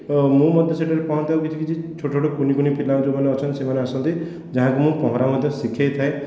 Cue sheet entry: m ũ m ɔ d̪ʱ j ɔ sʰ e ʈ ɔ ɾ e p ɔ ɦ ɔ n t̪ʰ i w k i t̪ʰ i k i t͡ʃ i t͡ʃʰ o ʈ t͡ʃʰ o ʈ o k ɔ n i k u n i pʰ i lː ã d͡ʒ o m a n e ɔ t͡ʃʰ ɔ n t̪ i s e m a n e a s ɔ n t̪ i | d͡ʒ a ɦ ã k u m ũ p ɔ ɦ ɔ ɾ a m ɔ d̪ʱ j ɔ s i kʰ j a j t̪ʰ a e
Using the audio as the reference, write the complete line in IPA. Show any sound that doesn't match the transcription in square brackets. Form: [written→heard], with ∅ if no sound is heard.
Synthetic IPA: m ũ m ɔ d̪ʱ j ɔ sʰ e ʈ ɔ ɾ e p ɔ ɦ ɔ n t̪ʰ [i→a] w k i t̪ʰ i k i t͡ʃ i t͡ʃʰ o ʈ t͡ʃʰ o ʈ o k [ɔ→u] n i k u n i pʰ i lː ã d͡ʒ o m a n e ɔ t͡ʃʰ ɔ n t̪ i s e m a n e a s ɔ n t̪ i | d͡ʒ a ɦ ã k u m ũ p ɔ ɦ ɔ ɾ a m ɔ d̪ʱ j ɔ s i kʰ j a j t̪ʰ a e